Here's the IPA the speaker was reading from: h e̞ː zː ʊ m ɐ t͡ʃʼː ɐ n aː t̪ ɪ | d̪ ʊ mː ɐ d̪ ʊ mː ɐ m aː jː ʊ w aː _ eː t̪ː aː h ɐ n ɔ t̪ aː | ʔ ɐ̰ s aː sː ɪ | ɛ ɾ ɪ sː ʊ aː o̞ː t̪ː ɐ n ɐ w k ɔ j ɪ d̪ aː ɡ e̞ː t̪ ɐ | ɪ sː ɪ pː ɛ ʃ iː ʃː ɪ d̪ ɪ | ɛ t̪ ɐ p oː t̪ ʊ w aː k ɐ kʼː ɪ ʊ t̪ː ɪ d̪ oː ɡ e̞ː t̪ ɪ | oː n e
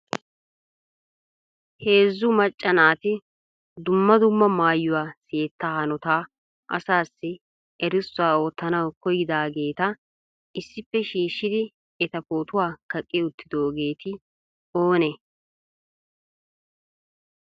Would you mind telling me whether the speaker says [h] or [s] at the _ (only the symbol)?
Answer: s